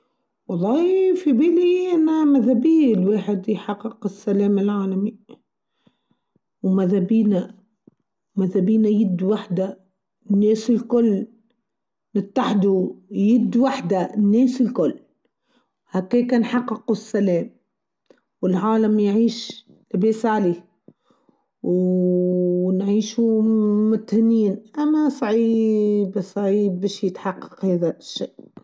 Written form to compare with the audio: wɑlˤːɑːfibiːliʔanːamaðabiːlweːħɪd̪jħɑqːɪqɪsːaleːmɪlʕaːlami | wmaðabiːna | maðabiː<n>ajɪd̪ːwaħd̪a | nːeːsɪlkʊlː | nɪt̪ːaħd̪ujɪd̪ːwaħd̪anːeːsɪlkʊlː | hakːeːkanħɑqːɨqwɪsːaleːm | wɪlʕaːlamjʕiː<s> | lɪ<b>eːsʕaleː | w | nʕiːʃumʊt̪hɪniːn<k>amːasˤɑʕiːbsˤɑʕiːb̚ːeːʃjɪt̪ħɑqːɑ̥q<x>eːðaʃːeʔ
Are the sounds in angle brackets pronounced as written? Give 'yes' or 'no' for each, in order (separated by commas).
yes, no, yes, no, no